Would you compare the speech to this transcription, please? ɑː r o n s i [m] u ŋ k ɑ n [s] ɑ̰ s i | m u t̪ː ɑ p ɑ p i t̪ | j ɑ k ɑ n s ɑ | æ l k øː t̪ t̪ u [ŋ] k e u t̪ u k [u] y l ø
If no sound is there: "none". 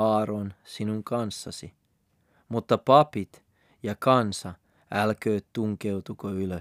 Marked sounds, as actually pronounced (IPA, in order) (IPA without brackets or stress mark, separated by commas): n, sː, ŋ, o